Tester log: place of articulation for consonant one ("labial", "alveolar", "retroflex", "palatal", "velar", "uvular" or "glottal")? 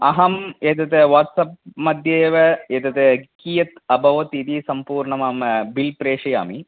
glottal